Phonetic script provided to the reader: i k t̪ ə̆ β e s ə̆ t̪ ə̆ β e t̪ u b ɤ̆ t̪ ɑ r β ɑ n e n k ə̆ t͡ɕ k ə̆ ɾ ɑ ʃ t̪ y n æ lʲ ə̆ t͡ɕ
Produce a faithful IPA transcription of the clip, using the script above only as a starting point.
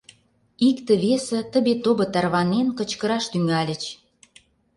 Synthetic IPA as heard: i k t̪ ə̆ β e s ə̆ t̪ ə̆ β e t̪ o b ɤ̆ t̪ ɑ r β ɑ n e n k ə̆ t͡ɕ k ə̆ ɾ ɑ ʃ t̪ y ŋ æ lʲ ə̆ t͡ɕ